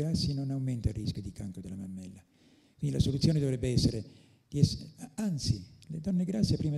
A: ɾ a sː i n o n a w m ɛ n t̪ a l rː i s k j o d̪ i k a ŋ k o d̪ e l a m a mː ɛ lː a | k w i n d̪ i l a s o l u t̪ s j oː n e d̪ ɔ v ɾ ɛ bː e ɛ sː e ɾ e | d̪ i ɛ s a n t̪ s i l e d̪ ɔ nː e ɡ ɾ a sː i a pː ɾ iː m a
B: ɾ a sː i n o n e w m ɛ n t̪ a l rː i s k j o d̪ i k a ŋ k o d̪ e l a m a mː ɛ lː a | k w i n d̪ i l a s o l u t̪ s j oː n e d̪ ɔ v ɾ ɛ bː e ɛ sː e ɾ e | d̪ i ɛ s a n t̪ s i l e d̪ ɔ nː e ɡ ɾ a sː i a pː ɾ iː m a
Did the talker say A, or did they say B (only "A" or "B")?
A